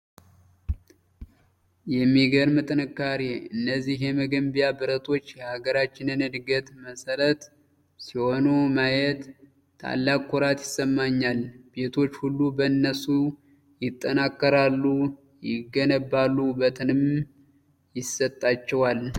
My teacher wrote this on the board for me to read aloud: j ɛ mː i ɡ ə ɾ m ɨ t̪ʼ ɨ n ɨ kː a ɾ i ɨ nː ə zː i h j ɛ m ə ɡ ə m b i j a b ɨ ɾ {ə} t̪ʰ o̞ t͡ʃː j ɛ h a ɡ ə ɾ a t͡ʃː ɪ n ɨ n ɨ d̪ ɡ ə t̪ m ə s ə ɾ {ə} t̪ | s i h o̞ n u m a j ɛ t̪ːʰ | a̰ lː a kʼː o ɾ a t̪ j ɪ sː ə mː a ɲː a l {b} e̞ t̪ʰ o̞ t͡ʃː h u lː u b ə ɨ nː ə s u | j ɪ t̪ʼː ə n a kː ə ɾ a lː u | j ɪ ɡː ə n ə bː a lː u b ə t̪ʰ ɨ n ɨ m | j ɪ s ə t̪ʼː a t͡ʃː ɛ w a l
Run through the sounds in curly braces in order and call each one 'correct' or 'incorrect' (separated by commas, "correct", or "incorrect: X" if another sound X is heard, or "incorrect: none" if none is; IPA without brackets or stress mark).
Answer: correct, correct, correct